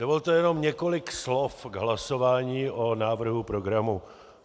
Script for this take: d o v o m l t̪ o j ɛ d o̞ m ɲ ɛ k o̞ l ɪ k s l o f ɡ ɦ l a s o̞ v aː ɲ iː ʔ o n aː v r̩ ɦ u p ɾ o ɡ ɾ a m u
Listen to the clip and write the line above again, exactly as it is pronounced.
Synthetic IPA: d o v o l t̪ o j ɛ n o̞ m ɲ ɛ k o̞ l ɪ k s l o f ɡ ɦ l a s o̞ v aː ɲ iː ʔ o n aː v r̩ ɦ u p ɾ o ɡ ɾ a m u

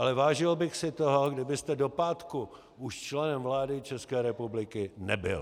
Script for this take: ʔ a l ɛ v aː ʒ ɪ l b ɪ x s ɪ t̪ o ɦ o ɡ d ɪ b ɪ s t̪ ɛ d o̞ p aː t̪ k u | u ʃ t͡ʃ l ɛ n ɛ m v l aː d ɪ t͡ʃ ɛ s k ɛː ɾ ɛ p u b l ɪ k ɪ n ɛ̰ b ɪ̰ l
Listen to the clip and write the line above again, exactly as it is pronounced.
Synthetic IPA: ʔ a l ɛ v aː ʒ ɪ l b ɪ x s ɪ t̪ o ɦ o ɡ d ɪ b ɪ s t̪ ɛ d o̞ p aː t̪ k u | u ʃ t͡ʃ l ɛ n ɛ m v l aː d ɪ t͡ʃ ɛ s k ɛː ɾ ɛ p u b l ɪ k ɪ n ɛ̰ b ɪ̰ l

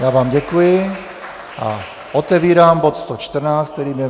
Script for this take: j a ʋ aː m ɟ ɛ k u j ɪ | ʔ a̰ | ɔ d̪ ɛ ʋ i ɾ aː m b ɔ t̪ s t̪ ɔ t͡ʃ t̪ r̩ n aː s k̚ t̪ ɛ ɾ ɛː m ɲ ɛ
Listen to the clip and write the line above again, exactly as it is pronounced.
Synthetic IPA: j a ʋ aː m ɟ ɛ k u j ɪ | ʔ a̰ | ɔ t̪ ɛ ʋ iː ɾ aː m b ɔ t̪ s t̪ ɔ t͡ʃ t̪ r̩ n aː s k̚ t̪ ɛ ɾ iː m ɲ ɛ

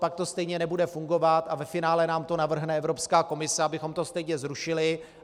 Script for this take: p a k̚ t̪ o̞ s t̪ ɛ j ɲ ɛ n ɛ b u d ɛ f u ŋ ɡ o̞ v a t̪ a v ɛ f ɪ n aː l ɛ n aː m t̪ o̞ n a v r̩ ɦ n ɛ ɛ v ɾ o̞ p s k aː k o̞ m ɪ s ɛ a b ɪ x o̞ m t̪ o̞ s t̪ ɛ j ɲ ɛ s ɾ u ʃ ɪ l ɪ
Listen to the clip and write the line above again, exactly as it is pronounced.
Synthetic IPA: p a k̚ t̪ o̞ s t̪ ɛ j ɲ ɛ n ɛ b u d ɛ f u ŋ ɡ o̞ v a t̪ a v ɛ f ɪ n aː l ɛ n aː m t̪ o̞ n a v r̩ ɦ n ɛ ɛ v ɾ o̞ p s k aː k o̞ m ɪ s ɛ a b ɪ x o̞ m t̪ o̞ s t̪ ɛ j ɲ ɛ z ɾ u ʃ ɪ l ɪ

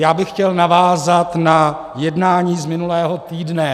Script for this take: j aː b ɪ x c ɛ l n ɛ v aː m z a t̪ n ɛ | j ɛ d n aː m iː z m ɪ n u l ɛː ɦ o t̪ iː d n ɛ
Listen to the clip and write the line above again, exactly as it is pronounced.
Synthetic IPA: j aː b ɪ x c ɛ l n a v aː z a t̪ n a | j ɛ d n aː ɲ iː z m ɪ n u l ɛː ɦ o t̪ iː d n ɛ

